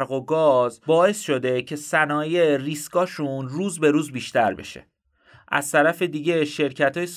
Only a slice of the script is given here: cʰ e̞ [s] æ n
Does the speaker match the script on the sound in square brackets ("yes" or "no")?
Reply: yes